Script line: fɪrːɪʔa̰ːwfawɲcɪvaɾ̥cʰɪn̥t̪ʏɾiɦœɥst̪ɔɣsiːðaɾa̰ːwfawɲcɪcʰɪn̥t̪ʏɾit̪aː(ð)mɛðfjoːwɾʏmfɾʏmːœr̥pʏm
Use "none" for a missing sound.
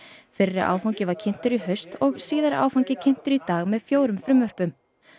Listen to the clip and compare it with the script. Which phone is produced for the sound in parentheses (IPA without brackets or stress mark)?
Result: ɣ